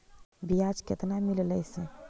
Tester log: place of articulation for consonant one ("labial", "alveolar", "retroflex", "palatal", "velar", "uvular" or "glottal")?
labial